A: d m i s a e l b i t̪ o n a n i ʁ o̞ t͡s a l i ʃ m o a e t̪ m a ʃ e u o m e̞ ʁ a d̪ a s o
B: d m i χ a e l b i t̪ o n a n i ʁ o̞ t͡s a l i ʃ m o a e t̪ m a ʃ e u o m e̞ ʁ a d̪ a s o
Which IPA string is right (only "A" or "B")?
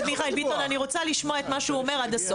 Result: B